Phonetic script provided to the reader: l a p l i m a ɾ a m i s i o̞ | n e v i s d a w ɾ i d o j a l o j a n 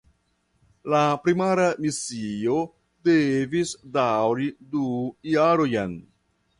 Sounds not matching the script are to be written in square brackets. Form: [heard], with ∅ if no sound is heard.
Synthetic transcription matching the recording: l a p [ɾ] i m a ɾ a m i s i o̞ | [d] e v i s d a w ɾ i d [u] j a [ɾ] o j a n